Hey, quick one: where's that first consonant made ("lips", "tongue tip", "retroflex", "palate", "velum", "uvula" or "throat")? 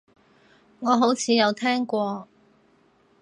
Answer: velum